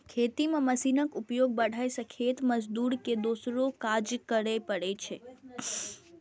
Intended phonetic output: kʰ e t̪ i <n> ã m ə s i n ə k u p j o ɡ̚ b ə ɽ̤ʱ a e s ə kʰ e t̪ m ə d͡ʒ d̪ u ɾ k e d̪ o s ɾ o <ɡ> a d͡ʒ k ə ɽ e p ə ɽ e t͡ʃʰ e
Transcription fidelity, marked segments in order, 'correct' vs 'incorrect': incorrect, incorrect

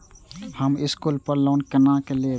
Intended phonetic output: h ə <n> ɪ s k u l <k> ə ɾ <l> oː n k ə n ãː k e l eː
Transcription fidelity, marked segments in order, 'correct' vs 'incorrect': incorrect, incorrect, correct

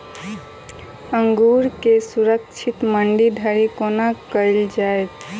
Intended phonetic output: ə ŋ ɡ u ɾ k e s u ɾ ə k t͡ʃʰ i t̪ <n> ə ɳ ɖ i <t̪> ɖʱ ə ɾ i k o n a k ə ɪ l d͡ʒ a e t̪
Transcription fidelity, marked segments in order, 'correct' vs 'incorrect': incorrect, incorrect

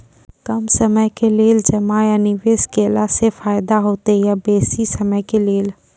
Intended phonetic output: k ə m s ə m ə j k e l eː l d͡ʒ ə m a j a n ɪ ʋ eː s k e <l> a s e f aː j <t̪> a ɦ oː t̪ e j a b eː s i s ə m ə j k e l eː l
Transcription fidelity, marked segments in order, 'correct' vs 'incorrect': correct, incorrect

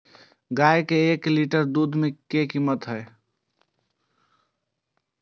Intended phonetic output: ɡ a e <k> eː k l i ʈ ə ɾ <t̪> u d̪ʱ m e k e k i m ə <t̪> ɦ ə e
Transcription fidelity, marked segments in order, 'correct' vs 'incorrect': correct, incorrect, correct

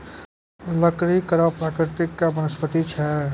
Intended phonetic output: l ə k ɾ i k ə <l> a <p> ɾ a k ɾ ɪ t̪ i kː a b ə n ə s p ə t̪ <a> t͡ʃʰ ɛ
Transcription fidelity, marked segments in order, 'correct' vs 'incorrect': incorrect, correct, incorrect

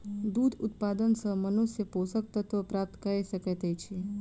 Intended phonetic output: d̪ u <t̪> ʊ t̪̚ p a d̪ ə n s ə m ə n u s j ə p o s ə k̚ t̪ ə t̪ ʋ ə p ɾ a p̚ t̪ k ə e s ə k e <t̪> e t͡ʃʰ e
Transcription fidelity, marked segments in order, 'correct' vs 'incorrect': incorrect, correct

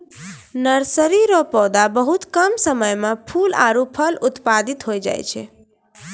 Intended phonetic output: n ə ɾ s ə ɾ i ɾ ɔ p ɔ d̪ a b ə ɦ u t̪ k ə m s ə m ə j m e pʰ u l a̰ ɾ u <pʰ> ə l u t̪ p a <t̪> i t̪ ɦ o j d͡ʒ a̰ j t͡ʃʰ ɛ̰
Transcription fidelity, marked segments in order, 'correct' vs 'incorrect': correct, incorrect

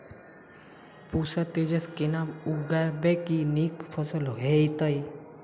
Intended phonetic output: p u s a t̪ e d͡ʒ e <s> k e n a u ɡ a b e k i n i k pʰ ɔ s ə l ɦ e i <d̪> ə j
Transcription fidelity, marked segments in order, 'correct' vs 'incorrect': correct, incorrect

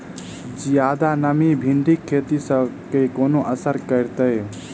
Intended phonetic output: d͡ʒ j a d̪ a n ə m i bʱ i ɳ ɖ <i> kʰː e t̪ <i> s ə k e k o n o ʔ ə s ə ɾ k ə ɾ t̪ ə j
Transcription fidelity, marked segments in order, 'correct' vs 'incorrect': correct, correct

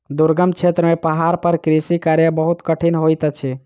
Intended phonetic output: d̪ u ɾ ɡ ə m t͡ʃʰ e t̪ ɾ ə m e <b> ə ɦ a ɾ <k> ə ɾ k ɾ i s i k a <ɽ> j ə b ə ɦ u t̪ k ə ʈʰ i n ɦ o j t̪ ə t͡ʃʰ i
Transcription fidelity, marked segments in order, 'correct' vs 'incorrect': incorrect, incorrect, incorrect

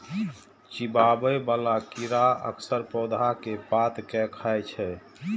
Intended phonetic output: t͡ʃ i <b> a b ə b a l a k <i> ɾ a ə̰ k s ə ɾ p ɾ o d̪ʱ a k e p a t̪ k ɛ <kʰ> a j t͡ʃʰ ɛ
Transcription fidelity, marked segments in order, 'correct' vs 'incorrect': correct, correct, correct

